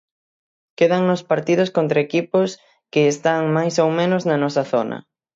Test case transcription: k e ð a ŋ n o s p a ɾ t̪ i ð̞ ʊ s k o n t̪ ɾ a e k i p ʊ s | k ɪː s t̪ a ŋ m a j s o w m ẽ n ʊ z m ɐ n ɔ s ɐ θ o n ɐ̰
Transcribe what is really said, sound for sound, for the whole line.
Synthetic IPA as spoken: k e ð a ŋ n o s p a ɾ t̪ i ð̞ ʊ s k o n t̪ ɾ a e k i p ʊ s | k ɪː s t̪ a ŋ m a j s o w m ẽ n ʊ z n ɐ n ɔ s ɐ θ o n ɐ̰

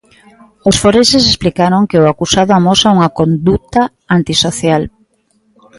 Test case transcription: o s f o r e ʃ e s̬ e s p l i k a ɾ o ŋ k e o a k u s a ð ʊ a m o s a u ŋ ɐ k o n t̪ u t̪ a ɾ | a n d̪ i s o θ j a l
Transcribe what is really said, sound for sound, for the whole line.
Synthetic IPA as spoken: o s f o ɾ e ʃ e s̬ e s p l i k a ɾ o ŋ k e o a k u s a ð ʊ a m o s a u ŋ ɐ k o n d̪ u t̪ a | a n t̪ i s o θ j a l

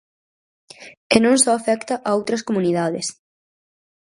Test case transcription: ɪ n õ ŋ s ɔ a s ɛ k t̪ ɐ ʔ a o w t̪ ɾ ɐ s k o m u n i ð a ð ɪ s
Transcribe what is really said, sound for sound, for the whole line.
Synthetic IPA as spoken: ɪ n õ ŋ s ɔ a f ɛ k t̪ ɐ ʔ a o w t̪ ɾ ɐ s k o m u n i ð a ð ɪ s

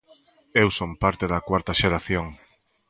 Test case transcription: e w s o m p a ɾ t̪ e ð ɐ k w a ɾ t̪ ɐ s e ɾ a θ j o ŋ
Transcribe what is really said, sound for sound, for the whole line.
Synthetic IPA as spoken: e w s o m p a ɾ t̪ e ð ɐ k w a ɾ t̪ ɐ ʃ e ɾ a θ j o ŋ

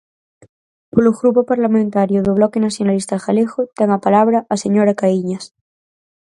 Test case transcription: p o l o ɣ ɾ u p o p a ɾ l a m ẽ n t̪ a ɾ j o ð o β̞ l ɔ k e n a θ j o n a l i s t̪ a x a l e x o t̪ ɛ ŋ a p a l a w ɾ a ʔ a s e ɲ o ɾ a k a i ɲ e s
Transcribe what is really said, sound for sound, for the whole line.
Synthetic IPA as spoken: p o l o ɣ ɾ u p o p a ɾ l a m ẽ n t̪ a ɾ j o ð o β̞ l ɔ k e n a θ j o n a l i s t̪ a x a l e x o t̪ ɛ ŋ a p a l a β ɾ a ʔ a s e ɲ o ɾ a k a i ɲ a s

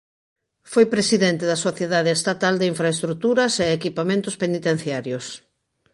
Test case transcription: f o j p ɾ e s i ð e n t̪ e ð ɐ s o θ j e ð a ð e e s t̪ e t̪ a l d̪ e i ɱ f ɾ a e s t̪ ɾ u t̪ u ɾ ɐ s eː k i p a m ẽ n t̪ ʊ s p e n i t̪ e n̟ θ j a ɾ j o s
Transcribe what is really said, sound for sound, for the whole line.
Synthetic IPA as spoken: f o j p ɾ e s i ð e n t̪ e ð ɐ s o θ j e ð a ð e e s t̪ a t̪ a l d̪ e i ɱ f ɾ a e s t̪ ɾ u t̪ u ɾ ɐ s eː k i p a m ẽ n t̪ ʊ s p e n i t̪ e n̟ θ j a ɾ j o s

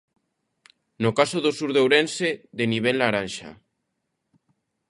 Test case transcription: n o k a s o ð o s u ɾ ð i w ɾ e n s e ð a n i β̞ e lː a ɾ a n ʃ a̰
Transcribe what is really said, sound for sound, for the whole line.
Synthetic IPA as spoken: n o k a s o ð o s u ɾ ð e w ɾ e n s e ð e n i β̞ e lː a ɾ a n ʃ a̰

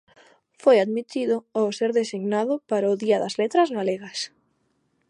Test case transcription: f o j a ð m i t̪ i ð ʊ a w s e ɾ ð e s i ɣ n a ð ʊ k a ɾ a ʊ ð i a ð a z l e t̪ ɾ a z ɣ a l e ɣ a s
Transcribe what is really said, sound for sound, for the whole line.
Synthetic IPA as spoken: f o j a ð m i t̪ i ð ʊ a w s e ɾ ð e s i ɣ n a ð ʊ p a ɾ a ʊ ð i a ð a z l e t̪ ɾ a z ɣ a l e ɣ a s

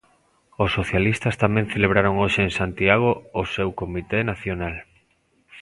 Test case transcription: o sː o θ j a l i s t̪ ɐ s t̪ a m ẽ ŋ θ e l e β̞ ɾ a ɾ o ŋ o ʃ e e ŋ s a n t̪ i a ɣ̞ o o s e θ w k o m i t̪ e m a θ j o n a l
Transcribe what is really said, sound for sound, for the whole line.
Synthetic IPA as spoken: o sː o θ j a l i s t̪ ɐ s t̪ a m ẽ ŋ θ e l e β̞ ɾ a ɾ o ŋ o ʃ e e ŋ s a n t̪ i a ɣ̞ o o s e w k o m i t̪ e n a θ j o n a l

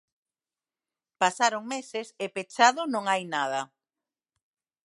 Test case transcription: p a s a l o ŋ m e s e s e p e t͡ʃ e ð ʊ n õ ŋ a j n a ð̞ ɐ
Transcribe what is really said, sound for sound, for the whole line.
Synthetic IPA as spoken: p a s a ɾ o ŋ m e s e s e p e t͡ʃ a ð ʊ n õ ŋ a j n a ð̞ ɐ

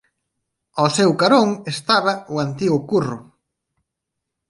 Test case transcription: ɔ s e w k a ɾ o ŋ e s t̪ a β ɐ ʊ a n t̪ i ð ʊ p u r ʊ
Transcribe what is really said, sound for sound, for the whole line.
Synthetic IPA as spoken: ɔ s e w k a ɾ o ŋ e s t̪ a β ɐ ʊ a n t̪ i ɣ ʊ k u r ʊ

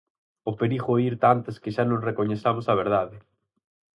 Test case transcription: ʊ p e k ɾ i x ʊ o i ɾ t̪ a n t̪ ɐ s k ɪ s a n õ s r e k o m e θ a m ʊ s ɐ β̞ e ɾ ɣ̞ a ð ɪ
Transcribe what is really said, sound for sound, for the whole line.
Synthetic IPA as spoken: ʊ p e ɾ i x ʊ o i ɾ t̪ a n t̪ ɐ s k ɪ ʃ a n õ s r e k o ɲ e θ a m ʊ s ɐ β̞ e ɾ ð̞ a ð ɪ

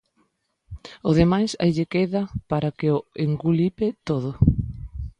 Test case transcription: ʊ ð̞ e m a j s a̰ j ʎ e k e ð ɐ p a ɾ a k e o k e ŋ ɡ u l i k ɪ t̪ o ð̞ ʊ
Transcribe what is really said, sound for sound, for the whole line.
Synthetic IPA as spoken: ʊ ð̞ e m a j s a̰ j ʎ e k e ð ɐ p a ɾ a k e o e ŋ ɡ u l i p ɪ t̪ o ð̞ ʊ

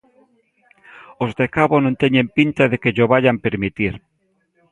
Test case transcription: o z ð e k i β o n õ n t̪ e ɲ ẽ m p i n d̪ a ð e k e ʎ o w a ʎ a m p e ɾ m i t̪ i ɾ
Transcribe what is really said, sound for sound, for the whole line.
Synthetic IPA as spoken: o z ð e k a β o n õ n t̪ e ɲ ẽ m p i n t̪ a ð e k e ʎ o β a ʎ a m p e ɾ m i t̪ i ɾ

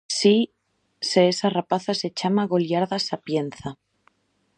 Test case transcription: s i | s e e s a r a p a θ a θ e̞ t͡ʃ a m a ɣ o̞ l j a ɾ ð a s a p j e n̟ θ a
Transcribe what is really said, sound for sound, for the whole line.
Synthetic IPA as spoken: s i | s e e s a r a p a θ a s e̞ t͡ʃ a m a ɣ o̞ l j a ɾ ð a s a p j e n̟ θ a

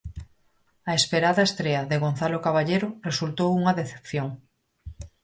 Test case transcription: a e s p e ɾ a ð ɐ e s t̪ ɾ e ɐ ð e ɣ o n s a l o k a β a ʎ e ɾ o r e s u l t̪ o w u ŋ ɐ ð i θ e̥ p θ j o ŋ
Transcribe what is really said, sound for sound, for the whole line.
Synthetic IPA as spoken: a e s p e ɾ a ð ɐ e s t̪ ɾ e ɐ ð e ɣ o n θ a l o k a β a ʎ e ɾ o r e s u l t̪ o w u ŋ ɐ ð e θ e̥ p θ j o ŋ

